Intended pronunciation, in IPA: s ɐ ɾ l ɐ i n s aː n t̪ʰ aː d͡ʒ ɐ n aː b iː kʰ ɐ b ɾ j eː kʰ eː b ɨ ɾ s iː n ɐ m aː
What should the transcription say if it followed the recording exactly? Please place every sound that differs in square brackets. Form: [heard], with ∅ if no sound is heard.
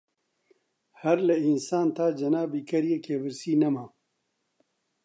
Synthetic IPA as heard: [h] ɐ ɾ l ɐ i n s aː n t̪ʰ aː d͡ʒ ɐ n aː b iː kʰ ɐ [∅] ɾ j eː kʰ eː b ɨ ɾ s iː n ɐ m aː